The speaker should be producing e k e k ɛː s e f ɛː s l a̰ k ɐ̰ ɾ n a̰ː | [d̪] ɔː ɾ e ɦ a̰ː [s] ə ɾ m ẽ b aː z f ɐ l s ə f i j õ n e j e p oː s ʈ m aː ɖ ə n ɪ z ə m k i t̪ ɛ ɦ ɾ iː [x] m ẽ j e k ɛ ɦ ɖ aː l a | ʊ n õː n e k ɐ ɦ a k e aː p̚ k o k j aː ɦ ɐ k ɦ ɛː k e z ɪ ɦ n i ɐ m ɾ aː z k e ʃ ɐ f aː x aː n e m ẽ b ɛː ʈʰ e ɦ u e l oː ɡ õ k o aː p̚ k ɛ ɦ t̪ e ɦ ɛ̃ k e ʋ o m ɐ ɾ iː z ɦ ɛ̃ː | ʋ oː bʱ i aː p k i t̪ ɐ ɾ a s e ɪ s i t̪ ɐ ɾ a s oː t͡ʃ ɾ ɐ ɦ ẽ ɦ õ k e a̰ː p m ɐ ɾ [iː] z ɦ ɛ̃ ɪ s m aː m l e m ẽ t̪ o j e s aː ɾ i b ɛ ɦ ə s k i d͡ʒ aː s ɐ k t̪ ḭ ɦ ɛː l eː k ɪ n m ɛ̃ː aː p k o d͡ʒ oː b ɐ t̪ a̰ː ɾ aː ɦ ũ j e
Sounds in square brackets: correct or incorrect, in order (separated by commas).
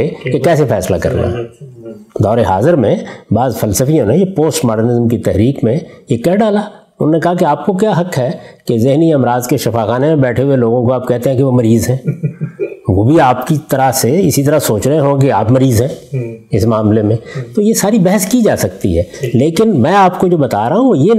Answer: correct, incorrect, incorrect, correct